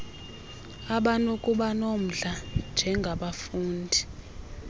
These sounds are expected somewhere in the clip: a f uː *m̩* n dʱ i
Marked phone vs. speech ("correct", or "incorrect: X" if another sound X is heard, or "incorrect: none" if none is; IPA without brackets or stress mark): incorrect: none